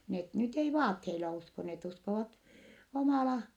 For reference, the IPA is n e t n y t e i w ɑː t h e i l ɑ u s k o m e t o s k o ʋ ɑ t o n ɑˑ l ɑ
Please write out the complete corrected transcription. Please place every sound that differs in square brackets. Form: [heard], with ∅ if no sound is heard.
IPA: n e t n y t e i [ʋ] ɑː t h e i l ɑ u s k o [n] e t [u] s k o ʋ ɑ t o [m] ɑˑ l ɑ

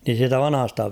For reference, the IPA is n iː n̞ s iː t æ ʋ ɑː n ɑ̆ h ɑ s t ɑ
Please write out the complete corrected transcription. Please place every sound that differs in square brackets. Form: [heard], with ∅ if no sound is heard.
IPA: n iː n̞ s iː t æ ʋ [ɑ] n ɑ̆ h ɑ s t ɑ

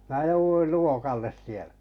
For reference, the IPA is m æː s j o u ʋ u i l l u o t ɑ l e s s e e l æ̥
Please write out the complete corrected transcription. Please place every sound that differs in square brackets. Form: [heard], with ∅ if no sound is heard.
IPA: m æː [∅] j o u ʋ u i l l u o [k] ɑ [lː] e s s [i] e l æ̥

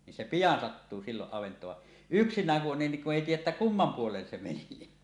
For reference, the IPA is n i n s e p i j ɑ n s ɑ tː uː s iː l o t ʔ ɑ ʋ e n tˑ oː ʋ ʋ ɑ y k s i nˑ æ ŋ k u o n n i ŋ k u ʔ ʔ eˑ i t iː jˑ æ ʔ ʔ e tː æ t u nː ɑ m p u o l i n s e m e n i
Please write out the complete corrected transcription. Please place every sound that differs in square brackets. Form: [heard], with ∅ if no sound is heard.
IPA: n i n s e p i j ɑ n s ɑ tː uː s iː l o [ʔ] ʔ ɑ ʋ e n tˑ oː ʋ ʋ ɑ y k s i nˑ [æː] ŋ k u o n n i ŋ k u ʔ ʔ eˑ i t iː jˑ æ ʔ ʔ e tː æ [k] u [mː] ɑ m p u o l [e] n s e m e n i

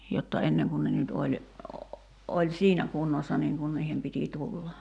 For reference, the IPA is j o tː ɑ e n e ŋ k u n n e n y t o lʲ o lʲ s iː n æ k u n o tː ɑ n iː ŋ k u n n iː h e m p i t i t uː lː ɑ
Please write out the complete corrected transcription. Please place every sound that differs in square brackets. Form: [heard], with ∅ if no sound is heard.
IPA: j o tː ɑ e [nː] e ŋ k u n n e n y t o lʲ o lʲ s iː n æ k u [nː] o [sː] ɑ n iː ŋ k u n n iː h e m p i t i t [u] lː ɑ

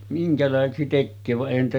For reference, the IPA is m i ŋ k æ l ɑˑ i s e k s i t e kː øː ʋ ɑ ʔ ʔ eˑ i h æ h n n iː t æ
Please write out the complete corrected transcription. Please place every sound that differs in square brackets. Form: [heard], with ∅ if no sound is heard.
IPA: m i ŋ k æ l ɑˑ [e] s e k s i t e kː øː ʋ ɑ ʔ ʔ eˑ i h æ [∅] n n iː t æ

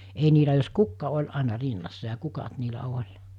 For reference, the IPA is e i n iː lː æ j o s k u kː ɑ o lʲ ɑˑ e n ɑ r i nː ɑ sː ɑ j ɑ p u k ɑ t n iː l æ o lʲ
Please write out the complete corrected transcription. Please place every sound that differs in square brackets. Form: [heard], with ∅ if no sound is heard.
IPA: e i n iː [l] æ j o s k u kː ɑ o lʲ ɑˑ e n ɑ r i nː ɑ sː ɑ j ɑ [k] u k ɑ t n iː l æ o lʲ

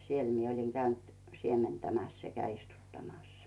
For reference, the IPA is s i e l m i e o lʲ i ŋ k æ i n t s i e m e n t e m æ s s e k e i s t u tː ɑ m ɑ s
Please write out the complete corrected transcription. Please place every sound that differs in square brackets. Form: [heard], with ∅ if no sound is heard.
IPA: s i e l m i e o lʲ i ŋ k æ [y] n t s i e m e n t [æ] m æ s s e k [æ] i s t u tː ɑ m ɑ s

